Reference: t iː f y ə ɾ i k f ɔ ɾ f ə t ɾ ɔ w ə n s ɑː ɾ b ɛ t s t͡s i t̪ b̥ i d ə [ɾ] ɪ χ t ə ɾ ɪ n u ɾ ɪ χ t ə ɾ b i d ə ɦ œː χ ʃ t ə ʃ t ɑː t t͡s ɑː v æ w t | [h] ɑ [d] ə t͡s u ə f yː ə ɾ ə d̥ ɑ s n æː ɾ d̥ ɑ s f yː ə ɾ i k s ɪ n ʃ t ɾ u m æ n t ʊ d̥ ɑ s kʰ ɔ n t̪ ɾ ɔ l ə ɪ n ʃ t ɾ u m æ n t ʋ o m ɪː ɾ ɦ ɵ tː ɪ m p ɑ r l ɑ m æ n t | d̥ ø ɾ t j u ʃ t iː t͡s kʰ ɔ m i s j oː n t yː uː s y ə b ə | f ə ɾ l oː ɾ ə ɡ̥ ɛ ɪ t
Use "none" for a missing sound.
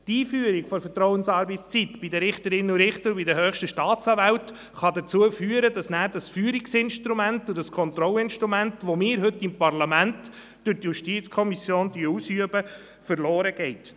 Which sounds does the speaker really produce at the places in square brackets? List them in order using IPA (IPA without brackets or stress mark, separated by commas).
ɾ, χ, d